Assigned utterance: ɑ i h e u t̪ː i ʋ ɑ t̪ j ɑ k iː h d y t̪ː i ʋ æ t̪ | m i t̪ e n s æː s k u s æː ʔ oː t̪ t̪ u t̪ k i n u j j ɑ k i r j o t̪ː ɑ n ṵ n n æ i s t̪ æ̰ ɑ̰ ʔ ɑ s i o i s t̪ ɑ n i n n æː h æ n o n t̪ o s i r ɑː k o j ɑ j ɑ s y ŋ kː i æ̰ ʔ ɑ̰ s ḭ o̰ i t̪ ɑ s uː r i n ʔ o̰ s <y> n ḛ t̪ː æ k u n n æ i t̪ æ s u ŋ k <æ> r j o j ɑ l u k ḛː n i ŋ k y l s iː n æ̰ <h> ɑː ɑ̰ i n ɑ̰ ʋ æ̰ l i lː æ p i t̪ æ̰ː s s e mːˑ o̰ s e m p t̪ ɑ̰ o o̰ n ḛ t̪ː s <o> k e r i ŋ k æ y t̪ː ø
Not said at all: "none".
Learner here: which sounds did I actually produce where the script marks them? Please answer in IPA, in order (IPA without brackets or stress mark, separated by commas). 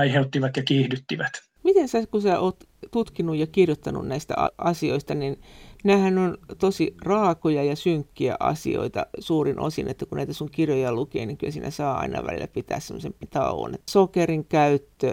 i, i, s, o